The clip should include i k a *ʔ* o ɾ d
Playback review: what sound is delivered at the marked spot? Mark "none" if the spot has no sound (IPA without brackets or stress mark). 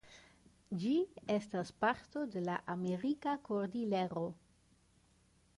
k